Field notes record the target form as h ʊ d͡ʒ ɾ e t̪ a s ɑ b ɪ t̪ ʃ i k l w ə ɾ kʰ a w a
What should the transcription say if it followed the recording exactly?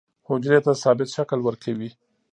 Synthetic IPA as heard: h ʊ d͡ʒ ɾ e t̪ a s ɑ b ɪ t̪ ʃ a k l w ə ɾ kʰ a w i

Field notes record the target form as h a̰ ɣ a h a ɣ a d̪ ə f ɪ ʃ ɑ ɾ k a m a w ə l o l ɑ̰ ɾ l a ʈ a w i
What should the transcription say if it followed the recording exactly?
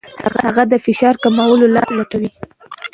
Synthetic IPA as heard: h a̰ ɣ a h a ɣ a d̪ ə f ɪ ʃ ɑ ɾ k a m a w ə l o l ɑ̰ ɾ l a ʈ a w i

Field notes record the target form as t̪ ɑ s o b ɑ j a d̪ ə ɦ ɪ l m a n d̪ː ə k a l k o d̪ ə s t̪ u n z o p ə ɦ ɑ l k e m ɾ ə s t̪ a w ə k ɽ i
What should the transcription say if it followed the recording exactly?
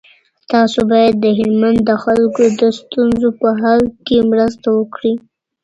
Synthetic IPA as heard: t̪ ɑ s o b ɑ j a d̪ː ə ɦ ɪ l m a n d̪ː ə x a l k o d̪ ə s t̪ u n z o p ə ɦ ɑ l k e m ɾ ə s t̪ a w ə k ɽ i

